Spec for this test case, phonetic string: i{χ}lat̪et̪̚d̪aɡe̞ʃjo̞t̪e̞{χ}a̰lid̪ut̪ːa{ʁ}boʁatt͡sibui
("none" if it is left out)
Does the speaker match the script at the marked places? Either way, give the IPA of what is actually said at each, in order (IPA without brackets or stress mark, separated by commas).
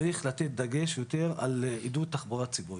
χ, ʁ, χ